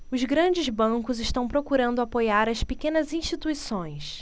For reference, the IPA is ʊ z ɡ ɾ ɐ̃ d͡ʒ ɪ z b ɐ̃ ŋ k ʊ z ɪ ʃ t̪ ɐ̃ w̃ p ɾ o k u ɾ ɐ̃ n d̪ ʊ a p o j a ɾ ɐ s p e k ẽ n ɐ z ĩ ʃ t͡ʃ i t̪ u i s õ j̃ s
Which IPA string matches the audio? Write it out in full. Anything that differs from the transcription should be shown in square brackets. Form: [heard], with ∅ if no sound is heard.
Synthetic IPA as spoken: ʊ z ɡ ɾ ɐ̃ d͡ʒ ɪ z b ɐ̃ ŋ k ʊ z ɪ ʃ t̪ ɐ̃ w̃ p ɾ o k u ɾ ɐ̃ n d̪ ʊ a p o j a ɾ ɐ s p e k ẽ n ɐ z ĩ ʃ t͡ʃ i t̪ u i s õ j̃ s